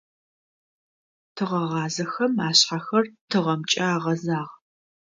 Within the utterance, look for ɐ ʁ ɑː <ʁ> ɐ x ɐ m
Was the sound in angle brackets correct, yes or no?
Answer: no